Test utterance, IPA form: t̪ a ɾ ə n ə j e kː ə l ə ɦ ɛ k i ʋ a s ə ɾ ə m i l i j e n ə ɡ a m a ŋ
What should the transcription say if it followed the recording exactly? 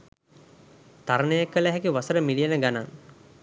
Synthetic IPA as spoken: t̪ a ɾ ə n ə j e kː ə l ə ɦ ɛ k i ʋ a s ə ɾ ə m i l i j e n ə ɡ a n a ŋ